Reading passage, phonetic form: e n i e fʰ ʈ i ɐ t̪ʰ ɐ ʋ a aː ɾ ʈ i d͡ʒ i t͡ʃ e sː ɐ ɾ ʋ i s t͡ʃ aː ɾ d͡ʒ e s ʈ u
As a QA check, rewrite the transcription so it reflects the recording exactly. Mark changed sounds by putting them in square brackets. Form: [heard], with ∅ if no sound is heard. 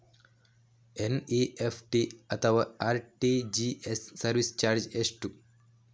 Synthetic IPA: e n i e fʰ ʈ i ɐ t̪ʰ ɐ ʋ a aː ɾ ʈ i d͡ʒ i [∅] e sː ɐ ɾ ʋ i s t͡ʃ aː ɾ d͡ʒ e s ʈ u